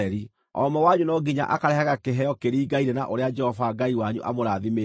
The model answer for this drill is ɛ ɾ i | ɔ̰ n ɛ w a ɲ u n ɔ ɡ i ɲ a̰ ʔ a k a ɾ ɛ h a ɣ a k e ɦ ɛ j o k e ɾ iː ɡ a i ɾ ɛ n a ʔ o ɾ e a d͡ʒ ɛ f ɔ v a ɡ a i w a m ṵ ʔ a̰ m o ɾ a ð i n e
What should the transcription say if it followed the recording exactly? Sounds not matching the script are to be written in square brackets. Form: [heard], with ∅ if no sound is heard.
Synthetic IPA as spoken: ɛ ɾ i | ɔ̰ [m] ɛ w a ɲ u n ɔ ɡ i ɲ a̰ ʔ a k a ɾ ɛ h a ɣ a k e ɦ ɛ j [ɔ] k e ɾ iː ɡ a i ɾ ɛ n a ʔ o ɾ e a d͡ʒ ɛ [h] ɔ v a ɡ a i w a [ɲ] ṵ ʔ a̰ m o ɾ a ð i [m] e